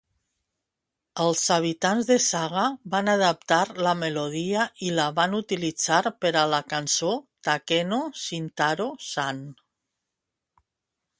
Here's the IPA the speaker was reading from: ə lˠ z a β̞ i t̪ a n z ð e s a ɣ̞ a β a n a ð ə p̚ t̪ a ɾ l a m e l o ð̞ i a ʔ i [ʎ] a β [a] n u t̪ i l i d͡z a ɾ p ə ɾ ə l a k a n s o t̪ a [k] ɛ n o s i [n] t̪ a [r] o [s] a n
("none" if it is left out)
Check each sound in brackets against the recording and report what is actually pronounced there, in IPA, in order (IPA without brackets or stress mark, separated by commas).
l, a, k, n, ɾ, s